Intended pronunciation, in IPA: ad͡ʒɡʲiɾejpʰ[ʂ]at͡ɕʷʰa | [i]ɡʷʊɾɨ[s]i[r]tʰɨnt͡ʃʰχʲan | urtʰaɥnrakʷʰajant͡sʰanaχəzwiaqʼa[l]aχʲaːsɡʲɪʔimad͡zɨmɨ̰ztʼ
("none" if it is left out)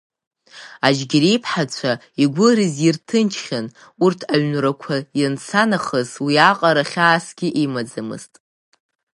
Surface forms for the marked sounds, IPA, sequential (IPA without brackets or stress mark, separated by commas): ħ, i, z, r, ɾ